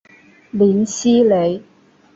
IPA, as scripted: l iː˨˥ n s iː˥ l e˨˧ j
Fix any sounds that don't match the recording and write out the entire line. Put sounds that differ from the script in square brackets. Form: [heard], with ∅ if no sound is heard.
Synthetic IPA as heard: l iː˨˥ n s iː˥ l e˨˧ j

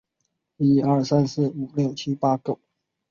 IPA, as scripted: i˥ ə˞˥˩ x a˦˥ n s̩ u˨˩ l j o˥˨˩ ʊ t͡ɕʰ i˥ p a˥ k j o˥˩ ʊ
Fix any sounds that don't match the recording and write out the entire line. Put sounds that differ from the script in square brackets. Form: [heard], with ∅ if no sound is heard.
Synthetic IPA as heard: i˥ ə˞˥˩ [s] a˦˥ n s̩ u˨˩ l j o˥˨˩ ʊ t͡ɕʰ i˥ p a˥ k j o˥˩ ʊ

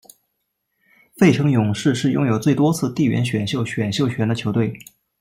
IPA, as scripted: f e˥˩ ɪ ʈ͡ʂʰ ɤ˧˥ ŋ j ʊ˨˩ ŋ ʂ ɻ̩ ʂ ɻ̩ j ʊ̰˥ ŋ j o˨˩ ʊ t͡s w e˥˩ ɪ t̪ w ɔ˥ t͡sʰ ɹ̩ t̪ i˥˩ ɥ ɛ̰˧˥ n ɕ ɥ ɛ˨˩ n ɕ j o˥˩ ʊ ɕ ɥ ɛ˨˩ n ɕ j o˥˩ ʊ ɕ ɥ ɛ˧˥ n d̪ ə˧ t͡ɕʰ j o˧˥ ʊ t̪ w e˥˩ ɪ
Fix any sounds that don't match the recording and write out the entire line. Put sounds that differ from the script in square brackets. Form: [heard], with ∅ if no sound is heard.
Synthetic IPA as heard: f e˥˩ ɪ ʈ͡ʂʰ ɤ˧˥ ŋ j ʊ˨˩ ŋ ʂ ɻ̩ ʂ ɻ̩ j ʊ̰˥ ŋ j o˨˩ ʊ t͡s w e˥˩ ɪ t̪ w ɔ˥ t͡sʰ ɹ̩ t̪ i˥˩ ɥ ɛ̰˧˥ n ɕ ɥ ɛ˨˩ n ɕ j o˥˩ ʊ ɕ ɥ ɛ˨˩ n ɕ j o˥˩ ʊ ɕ ɥ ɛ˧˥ n d̪ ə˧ t͡ɕʰ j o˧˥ ʊ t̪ w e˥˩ ɪ

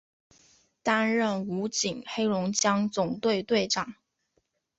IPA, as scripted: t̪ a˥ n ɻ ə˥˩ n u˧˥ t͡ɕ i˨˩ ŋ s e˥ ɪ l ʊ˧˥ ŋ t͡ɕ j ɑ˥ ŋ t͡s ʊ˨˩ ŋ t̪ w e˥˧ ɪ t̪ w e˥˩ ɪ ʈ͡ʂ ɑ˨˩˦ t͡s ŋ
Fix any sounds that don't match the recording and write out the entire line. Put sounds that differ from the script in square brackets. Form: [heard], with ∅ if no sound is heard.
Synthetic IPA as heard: t̪ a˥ n ɻ ə˥˩ n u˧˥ t͡ɕ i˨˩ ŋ [x] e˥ ɪ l ʊ˧˥ ŋ t͡ɕ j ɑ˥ ŋ t͡s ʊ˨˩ ŋ t̪ w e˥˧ ɪ t̪ w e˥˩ ɪ ʈ͡ʂ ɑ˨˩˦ [∅] ŋ

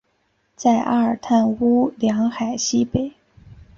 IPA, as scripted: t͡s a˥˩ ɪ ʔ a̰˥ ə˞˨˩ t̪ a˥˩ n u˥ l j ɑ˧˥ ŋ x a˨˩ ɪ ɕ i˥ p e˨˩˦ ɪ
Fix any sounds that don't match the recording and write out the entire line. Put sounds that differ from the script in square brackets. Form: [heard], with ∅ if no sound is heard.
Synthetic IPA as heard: t͡s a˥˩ ɪ ʔ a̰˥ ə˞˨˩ [t̪ʰ] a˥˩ n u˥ l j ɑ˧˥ ŋ x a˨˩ ɪ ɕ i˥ p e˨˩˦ ɪ

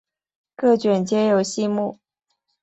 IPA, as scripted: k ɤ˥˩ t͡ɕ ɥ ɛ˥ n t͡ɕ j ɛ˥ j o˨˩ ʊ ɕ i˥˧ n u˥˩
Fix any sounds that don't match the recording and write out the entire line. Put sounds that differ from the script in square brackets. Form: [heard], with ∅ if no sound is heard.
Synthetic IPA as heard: k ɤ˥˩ t͡ɕ ɥ [ɛ˨˩] n t͡ɕ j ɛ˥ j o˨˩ ʊ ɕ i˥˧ [m] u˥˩

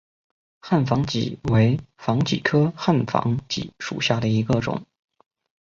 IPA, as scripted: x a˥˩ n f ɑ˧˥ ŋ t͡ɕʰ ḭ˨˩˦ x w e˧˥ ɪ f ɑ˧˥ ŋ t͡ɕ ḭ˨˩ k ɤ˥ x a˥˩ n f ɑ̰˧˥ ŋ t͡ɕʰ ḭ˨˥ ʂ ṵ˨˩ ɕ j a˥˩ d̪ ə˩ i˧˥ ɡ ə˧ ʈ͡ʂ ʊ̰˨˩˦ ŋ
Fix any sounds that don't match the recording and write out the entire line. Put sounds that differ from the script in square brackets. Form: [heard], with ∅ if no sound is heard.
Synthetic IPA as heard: x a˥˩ n f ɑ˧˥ ŋ [t͡ɕ] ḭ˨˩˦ [∅] w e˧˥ ɪ f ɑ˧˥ ŋ t͡ɕ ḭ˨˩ [kʰ] ɤ˥ x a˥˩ n f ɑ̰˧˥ ŋ [t͡ɕ] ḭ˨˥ ʂ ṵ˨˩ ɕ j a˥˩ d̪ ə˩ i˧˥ ɡ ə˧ ʈ͡ʂ ʊ̰˨˩˦ ŋ

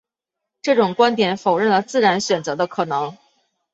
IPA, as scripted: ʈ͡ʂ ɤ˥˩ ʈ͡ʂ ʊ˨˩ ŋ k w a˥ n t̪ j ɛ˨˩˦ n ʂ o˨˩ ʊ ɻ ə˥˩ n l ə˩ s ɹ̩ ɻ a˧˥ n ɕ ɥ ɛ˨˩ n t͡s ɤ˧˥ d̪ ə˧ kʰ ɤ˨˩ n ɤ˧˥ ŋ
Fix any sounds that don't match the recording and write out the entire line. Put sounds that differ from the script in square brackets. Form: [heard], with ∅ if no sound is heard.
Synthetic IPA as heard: ʈ͡ʂ ɤ˥˩ ʈ͡ʂ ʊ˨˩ ŋ k w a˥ n t̪ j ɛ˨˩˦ n [f] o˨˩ ʊ ɻ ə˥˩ n l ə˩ [t͡s] ɹ̩ ɻ a˧˥ n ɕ ɥ ɛ˨˩ n t͡s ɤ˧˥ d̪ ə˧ kʰ ɤ˨˩ n ɤ˧˥ ŋ

